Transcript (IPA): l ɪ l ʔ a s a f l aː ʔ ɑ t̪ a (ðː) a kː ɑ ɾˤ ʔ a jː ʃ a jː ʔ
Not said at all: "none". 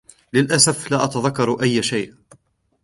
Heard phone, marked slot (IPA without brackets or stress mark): ð